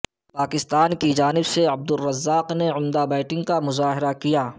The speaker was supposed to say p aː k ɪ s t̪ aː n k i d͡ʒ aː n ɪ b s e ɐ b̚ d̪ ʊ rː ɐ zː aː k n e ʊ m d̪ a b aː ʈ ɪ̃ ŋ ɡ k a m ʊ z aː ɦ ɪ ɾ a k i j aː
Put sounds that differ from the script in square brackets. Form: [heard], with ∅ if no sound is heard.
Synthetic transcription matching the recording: p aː k ɪ s t̪ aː n k i d͡ʒ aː n ɪ b s e ɐ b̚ d̪ ʊ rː ɐ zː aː [q] n e ʊ m d̪ a b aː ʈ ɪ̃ ŋ ɡ k a m ʊ z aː ɦ ɪ ɾ a k i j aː